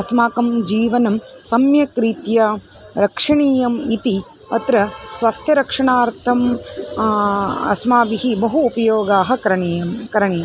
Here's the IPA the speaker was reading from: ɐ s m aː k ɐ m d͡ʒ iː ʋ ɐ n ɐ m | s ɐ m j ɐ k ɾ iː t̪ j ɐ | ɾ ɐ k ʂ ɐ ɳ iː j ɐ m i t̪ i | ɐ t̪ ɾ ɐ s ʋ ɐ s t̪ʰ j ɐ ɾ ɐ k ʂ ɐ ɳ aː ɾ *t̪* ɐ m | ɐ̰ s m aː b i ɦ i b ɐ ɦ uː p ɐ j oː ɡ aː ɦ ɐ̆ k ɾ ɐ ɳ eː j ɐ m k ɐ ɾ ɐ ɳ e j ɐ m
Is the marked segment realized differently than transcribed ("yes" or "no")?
yes